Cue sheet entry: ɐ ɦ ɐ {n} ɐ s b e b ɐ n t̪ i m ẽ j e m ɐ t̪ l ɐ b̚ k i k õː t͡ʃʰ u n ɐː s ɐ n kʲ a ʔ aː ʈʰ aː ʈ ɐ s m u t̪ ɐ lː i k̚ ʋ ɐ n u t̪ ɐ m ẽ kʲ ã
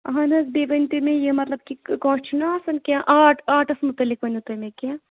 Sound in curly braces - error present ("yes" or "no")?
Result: no